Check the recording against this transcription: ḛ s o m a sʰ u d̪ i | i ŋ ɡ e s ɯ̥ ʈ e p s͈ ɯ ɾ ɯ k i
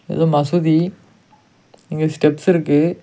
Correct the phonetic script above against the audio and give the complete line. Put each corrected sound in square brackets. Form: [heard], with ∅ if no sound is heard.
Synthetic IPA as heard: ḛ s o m a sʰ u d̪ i | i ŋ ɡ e s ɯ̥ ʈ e p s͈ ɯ ɾ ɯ k [e]